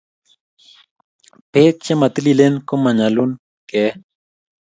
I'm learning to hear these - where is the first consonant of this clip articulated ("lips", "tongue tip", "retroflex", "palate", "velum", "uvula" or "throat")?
lips